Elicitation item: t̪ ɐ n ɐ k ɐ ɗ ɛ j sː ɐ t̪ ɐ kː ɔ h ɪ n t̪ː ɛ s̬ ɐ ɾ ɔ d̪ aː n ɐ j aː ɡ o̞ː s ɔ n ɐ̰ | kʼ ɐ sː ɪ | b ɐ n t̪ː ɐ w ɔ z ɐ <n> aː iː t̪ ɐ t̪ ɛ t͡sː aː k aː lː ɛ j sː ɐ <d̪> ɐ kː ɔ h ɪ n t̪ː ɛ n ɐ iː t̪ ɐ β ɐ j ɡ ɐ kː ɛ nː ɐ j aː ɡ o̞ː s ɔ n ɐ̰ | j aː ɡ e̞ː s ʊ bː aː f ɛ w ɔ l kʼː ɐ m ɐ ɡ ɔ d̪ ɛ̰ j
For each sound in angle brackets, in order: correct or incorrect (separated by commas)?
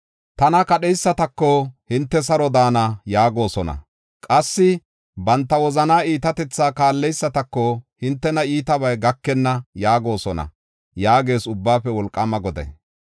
correct, incorrect